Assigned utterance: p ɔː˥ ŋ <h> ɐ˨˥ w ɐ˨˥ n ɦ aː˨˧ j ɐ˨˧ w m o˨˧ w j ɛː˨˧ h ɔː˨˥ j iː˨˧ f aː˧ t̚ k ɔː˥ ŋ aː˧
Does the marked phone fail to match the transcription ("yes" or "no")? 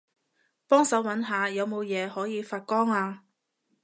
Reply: yes